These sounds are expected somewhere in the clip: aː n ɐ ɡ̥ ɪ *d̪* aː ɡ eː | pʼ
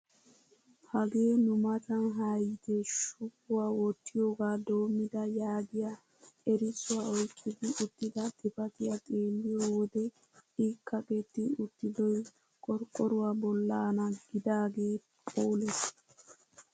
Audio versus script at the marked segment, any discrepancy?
no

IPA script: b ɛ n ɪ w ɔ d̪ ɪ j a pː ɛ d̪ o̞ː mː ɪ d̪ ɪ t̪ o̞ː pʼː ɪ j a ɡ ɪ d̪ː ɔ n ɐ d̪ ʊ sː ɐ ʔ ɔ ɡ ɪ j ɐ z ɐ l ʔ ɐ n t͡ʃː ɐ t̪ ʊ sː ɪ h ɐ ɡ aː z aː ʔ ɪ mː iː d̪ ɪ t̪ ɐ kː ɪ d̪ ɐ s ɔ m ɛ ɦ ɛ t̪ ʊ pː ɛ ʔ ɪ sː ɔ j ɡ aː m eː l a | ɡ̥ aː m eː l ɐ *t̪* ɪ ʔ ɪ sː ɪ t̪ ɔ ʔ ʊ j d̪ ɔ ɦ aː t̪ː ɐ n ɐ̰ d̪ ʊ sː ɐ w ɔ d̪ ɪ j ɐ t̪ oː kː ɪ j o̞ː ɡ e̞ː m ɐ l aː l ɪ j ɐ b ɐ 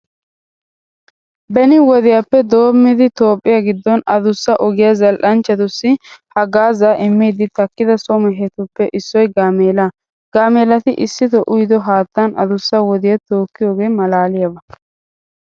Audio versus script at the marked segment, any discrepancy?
no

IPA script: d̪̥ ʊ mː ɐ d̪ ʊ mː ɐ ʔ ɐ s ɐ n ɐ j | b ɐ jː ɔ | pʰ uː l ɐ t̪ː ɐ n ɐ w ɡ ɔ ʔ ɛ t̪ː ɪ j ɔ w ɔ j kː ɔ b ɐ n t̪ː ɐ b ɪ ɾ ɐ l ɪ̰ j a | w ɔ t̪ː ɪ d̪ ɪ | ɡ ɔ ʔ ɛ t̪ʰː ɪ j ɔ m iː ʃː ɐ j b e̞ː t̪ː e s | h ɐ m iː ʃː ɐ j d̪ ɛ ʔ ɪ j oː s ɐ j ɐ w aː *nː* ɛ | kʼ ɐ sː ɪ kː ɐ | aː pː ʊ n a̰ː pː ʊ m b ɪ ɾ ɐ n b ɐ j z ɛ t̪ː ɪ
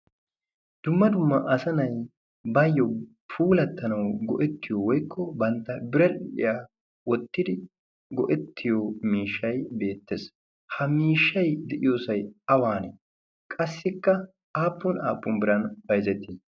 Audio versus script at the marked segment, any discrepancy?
yes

